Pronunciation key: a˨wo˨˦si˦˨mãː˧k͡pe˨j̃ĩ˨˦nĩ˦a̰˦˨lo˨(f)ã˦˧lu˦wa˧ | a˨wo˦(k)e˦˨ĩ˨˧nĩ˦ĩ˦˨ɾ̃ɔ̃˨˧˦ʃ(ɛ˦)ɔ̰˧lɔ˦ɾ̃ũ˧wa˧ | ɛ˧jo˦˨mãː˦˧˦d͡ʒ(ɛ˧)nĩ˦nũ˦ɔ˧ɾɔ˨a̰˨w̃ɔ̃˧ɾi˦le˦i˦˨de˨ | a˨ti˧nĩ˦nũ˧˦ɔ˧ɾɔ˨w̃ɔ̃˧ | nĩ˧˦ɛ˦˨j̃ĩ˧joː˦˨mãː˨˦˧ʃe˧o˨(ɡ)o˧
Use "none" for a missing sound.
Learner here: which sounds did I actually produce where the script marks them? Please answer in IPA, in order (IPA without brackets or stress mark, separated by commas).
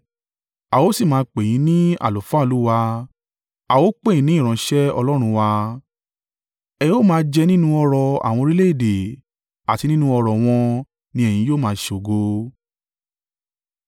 f, k͡p, ɛ˦, ɛ˧, ɡ